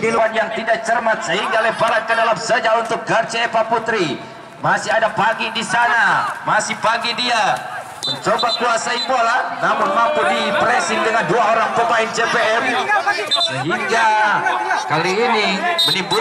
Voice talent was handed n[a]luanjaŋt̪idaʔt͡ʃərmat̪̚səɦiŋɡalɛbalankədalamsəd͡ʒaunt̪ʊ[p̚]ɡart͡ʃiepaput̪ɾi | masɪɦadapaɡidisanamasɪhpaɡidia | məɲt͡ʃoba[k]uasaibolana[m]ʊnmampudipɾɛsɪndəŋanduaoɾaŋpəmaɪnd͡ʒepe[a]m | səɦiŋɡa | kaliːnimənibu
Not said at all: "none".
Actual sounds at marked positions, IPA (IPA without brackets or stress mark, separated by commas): i, k̚, k, m, ɛ